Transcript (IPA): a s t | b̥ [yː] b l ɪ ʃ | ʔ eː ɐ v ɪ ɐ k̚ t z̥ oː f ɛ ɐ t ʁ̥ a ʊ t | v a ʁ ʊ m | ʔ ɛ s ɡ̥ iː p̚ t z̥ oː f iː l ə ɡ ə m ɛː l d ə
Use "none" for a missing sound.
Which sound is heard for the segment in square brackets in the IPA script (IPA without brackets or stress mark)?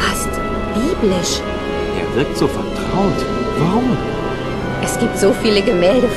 iː